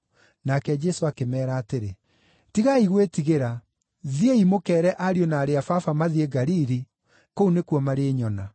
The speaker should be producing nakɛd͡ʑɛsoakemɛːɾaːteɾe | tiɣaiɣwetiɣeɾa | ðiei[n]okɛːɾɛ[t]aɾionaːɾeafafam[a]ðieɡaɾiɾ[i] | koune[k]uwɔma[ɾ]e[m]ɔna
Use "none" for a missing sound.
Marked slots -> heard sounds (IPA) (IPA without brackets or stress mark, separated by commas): m, ʔ, a, i, k, ɾ, ɲ